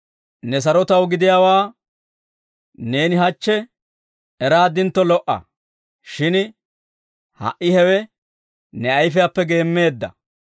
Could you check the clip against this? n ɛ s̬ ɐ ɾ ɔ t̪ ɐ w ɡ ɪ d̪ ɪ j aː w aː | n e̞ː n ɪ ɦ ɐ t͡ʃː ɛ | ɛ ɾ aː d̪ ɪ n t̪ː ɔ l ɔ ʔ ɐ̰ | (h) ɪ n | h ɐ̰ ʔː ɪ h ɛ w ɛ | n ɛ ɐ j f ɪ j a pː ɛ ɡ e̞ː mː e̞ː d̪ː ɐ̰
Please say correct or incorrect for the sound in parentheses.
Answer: incorrect: ʃ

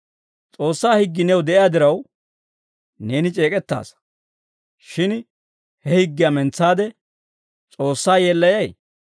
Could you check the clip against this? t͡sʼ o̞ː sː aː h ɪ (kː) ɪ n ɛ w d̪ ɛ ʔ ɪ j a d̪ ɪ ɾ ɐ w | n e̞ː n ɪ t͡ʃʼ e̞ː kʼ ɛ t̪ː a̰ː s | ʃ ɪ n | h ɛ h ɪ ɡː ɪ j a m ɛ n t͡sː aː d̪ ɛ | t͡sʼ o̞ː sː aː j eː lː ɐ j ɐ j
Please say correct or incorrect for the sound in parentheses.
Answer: incorrect: ɡː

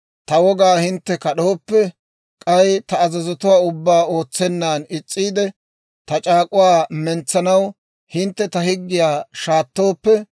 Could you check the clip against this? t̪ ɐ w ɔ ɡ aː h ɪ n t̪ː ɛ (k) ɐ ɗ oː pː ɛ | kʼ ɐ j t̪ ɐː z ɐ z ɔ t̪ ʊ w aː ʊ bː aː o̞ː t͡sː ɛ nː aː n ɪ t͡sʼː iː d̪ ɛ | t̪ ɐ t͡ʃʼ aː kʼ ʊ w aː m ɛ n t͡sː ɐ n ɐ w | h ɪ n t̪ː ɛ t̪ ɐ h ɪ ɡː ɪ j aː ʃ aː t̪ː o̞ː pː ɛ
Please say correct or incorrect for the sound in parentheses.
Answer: correct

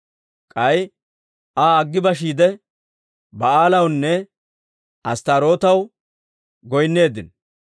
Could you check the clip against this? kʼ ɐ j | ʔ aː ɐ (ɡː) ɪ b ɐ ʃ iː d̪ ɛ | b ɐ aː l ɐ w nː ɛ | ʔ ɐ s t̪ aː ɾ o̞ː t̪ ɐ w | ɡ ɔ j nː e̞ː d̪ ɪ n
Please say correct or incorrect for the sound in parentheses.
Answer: correct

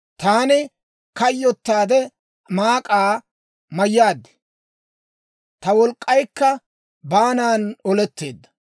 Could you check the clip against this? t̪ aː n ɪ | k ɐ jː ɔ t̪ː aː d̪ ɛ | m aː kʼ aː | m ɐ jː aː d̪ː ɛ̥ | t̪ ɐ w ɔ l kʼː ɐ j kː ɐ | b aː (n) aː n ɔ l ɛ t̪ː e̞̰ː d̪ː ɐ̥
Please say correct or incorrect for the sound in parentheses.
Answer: correct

